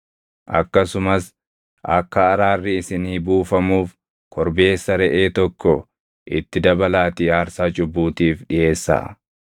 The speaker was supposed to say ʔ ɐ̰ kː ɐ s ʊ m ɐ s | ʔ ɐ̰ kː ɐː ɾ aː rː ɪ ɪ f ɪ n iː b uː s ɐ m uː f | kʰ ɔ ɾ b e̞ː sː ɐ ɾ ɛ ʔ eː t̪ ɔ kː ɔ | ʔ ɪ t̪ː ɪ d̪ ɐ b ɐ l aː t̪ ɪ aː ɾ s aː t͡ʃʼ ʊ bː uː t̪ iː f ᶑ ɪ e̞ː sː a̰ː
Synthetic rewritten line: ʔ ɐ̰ kː ɐ s ʊ m ɐ s | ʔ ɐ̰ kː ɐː ɾ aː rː ɪ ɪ s ɪ n iː b uː f ɐ m uː f | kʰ ɔ ɾ b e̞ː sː ɐ ɾ ɛ ʔ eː t̪ ɔ kː ɔ | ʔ ɪ t̪ː ɪ d̪ ɐ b ɐ l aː t̪ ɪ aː ɾ s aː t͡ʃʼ ʊ bː uː t̪ iː f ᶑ ɪ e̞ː sː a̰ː

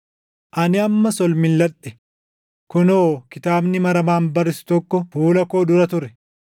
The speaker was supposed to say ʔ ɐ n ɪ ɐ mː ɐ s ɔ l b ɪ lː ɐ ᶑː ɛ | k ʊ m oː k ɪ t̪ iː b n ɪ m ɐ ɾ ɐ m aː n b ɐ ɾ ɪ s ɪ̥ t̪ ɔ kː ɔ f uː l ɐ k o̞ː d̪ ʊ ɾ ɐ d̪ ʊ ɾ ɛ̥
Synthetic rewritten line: ʔ ɐ n ɪ ɐ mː ɐ s ɔ l m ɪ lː ɐ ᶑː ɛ | k ʊ n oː k ɪ t̪ aː b n ɪ m ɐ ɾ ɐ m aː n b ɐ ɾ ɪ s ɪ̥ t̪ ɔ kː ɔ f uː l ɐ k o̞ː d̪ ʊ ɾ ɐ t̪ ʊ ɾ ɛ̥

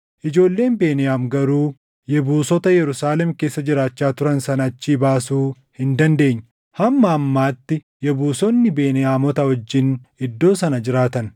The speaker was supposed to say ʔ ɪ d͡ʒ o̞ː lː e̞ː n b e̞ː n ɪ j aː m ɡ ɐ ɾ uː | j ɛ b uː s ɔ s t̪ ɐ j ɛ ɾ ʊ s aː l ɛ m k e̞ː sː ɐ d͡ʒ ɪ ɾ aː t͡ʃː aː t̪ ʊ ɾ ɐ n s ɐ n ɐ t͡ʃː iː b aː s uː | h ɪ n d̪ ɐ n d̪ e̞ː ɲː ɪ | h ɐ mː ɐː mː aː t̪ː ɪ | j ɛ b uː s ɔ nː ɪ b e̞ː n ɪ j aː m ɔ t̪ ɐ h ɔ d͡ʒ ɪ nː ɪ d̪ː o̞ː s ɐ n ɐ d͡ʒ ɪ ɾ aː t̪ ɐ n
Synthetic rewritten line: ʔ ɪ d͡ʒ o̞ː lː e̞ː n b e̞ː n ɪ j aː m ɡ ɐ ɾ uː | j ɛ b uː s ɔ t̪ ɐ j ɛ ɾ ʊ s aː l ɛ m k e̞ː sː ɐ d͡ʒ ɪ ɾ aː t͡ʃː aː t̪ ʊ ɾ ɐ n s ɐ n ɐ t͡ʃː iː b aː s uː | h ɪ n d̪ ɐ n d̪ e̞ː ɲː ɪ | h ɐ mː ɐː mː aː t̪ː ɪ | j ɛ b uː s ɔ nː ɪ b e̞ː n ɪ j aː m ɔ t̪ ɐ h ɔ d͡ʒː ɪ n ɪ d̪ː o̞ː s ɐ n ɐ d͡ʒ ɪ ɾ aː t̪ ɐ n

